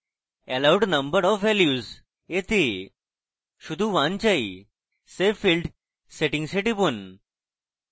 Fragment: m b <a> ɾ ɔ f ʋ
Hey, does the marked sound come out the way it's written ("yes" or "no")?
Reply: no